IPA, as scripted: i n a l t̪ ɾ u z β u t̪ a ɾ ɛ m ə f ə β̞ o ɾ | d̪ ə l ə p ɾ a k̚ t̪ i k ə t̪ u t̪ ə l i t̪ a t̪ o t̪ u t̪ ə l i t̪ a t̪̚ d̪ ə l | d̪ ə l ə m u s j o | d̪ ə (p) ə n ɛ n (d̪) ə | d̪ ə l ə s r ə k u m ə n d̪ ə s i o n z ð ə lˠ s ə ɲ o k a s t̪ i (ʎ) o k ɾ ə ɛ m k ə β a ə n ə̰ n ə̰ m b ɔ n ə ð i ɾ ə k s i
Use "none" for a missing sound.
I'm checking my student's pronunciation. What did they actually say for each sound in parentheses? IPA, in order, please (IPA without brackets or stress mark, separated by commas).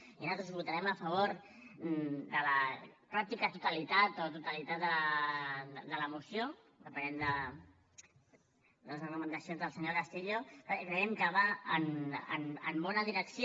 p, d̪, ʎ